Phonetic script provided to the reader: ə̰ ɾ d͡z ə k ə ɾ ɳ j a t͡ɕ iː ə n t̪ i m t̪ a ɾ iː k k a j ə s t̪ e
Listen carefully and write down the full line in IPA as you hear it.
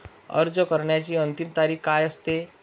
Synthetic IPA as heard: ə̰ ɾ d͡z ə k ə ɾ ɳ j a t͡ɕ iː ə n t̪ i m t̪ a ɾ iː k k a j ə s t̪ e